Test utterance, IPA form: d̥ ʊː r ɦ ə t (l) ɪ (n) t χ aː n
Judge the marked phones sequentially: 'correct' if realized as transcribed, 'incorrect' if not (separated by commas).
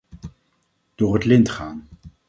correct, correct